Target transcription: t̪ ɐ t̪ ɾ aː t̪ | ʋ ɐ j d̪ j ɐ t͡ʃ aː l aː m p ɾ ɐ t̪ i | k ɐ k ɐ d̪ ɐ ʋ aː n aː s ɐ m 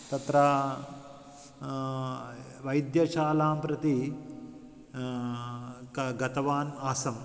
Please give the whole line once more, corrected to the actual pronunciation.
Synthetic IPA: t̪ ɐ t̪ ɾ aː | ʋ ɐ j d̪ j ɐ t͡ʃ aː l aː m p ɾ ɐ t̪ i | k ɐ ɡ ɐ t̪ ɐ ʋ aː n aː s ɐ m

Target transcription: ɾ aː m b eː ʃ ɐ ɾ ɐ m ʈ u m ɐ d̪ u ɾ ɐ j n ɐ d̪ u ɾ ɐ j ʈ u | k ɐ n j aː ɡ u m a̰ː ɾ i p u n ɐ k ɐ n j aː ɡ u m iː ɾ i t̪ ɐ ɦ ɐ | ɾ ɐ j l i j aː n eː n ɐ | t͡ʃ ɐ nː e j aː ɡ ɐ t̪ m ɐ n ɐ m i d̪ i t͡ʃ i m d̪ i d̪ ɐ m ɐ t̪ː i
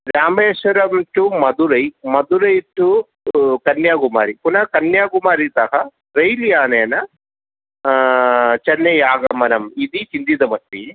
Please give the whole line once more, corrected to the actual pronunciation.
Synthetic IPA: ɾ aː m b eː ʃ ɐ ɾ ɐ m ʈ u m ɐ d̪ u ɾ ɐ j m ɐ d̪ u ɾ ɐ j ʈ u | k ɐ n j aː ɡ u m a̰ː ɾ i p u n ɐ k ɐ n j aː ɡ u m aː ɾ i t̪ ɐ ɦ ɐ | ɾ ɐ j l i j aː n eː n ɐ | t͡ʃ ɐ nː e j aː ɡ ɐ m ɐ n ɐ m i d̪ i t͡ʃ i n d̪ i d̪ ɐ m ɐ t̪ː i

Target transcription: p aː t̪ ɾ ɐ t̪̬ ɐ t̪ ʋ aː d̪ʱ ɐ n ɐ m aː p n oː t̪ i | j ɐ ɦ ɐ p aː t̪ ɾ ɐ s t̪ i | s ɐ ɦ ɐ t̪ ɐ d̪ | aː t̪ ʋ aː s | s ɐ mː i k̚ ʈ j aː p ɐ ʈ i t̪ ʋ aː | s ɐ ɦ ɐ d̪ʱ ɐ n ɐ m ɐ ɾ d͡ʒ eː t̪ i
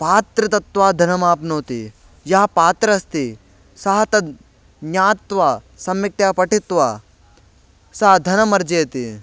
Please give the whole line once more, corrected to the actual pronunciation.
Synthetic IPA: p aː t̪ ɾ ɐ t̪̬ ɐ t̪ ʋ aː d̪ʱ ɐ n ɐ m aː p n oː t̪ i | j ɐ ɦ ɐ p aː t̪ ɾ ɐ s t̪ i | s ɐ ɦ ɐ t̪ ɐ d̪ | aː t̪ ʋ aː | s ɐ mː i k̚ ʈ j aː p ɐ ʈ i t̪ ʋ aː | s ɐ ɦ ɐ d̪ʱ ɐ n ɐ m ɐ ɾ d͡ʒ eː t̪ i

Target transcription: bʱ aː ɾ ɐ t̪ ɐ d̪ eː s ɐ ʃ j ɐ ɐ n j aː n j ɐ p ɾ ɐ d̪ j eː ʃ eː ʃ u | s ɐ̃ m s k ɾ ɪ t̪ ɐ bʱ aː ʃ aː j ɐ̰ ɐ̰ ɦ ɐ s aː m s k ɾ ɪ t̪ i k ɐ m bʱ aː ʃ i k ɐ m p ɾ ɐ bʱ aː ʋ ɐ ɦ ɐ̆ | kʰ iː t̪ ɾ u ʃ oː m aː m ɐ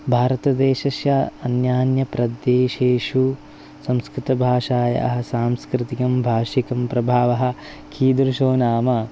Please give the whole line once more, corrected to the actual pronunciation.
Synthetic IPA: bʱ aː ɾ ɐ t̪ ɐ d̪ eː ʃ ɐ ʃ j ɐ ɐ n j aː n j ɐ p ɾ ɐ d̪ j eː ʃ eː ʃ u | s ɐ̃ m s k ɾ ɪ t̪ ɐ bʱ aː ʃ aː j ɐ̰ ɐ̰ ɦ ɐ s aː m s k ɾ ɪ t̪ i k ɐ m bʱ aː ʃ i k ɐ m p ɾ ɐ bʱ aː ʋ ɐ ɦ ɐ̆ | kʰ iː d̪ ɾ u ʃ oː n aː m ɐ

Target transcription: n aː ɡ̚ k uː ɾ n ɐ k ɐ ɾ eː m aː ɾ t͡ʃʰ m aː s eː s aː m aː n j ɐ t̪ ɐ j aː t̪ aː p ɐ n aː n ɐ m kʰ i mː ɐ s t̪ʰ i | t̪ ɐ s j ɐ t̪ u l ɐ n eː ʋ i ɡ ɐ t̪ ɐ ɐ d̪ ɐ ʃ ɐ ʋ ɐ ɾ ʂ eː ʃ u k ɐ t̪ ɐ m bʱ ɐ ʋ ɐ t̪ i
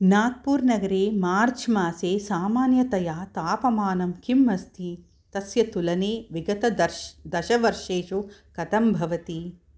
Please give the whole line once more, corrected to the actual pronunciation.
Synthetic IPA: n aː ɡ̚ p uː ɾ n ɐ ɡ ɐ ɾ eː m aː ɾ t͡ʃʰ m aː s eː s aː m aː n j ɐ t̪ ɐ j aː t̪ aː p ɐ m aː n ɐ m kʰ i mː ɐ s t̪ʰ i | t̪ ɐ s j ɐ t̪ u l ɐ n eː ʋ i ɡ ɐ t̪ ɐ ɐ d̪ ɐ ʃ ɐ ʋ ɐ ɾ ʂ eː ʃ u k ɐ t̪ ɐ m bʱ ɐ ʋ ɐ t̪ i

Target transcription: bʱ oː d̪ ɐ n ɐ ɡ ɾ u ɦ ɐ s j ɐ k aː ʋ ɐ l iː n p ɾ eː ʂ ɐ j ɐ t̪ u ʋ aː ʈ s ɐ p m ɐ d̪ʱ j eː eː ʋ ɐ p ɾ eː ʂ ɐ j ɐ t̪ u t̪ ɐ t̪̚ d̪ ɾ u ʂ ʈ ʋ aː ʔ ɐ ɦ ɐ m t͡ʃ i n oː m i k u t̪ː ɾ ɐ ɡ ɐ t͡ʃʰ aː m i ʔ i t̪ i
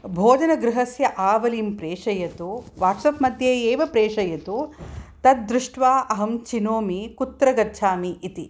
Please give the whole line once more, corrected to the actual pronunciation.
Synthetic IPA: bʱ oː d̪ ɐ n ɐ ɡ ɾ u ɦ ɐ s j ɐ ʔ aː ʋ ɐ l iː m p ɾ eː ʂ ɐ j ɐ t̪ u ʋ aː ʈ s ɐ p m ɐ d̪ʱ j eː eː ʋ ɐ p ɾ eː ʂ ɐ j ɐ t̪ u t̪ ɐ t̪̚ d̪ ɾ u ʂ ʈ ʋ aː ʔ ɐ ɦ ɐ m t͡ʃ i n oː m i k u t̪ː ɾ ɐ ɡ ɐ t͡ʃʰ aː m i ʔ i t̪ i

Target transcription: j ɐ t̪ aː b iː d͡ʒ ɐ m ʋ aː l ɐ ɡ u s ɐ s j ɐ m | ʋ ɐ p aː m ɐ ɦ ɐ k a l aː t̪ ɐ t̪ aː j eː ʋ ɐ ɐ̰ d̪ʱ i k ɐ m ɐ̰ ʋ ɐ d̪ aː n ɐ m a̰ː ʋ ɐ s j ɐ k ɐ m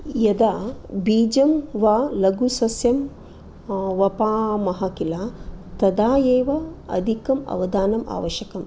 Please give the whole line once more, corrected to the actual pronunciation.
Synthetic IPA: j ɐ d̪ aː b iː d͡ʒ ɐ m ʋ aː l ɐ ɡ u s ɐ s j ɐ m | ʋ ɐ p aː m ɐ ɦ ɐ k i l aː t̪ ɐ d̪ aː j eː ʋ ɐ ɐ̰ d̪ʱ i k ɐ m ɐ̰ ʋ ɐ d̪ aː n ɐ m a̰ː ʋ ɐ ʃ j ɐ k ɐ m

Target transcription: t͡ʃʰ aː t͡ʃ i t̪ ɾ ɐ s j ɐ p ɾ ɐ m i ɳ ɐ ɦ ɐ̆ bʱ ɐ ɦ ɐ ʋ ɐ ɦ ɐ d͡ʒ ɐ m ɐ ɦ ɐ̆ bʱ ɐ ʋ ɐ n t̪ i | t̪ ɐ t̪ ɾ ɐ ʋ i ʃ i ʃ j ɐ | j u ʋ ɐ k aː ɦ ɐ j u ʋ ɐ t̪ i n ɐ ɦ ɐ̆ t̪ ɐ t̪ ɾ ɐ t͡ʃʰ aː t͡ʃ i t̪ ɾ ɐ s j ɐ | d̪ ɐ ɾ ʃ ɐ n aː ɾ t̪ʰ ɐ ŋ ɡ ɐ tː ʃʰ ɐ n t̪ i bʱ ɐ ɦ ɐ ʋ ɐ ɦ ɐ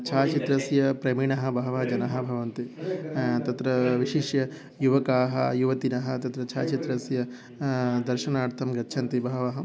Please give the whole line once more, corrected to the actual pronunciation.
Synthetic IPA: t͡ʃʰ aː t͡ʃ i t̪ ɾ ɐ s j ɐ p ɾ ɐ m i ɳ ɐ ɦ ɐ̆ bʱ ɐ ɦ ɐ ʋ ɐ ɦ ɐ d͡ʒ ɐ n ɐ ɦ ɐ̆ bʱ ɐ ʋ ɐ n t̪ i | t̪ ɐ t̪ ɾ ɐ ʋ i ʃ i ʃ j ɐ | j u ʋ ɐ k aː ɦ ɐ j u ʋ ɐ t̪ i n ɐ ɦ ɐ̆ t̪ ɐ t̪ ɾ ɐ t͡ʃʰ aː t͡ʃ i t̪ ɾ ɐ s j ɐ | d̪ ɐ ɾ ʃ ɐ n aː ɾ t̪ʰ ɐ m ɡ ɐ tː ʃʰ ɐ n t̪ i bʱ ɐ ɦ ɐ ʋ ɐ ɦ ɐ

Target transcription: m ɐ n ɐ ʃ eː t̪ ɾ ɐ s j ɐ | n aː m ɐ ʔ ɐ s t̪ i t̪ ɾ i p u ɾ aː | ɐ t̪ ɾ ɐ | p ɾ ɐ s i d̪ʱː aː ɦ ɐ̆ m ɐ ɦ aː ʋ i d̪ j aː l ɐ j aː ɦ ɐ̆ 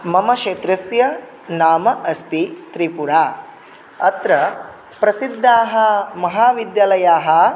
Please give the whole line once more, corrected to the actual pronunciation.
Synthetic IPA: m ɐ m ɐ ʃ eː t̪ ɾ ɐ s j ɐ | n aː m ɐ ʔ ɐ s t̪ i t̪ ɾ i p u ɾ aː | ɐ t̪ ɾ ɐ | p ɾ ɐ s i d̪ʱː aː ɦ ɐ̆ m ɐ ɦ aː ʋ i d̪ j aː l ɐ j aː ɦ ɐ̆

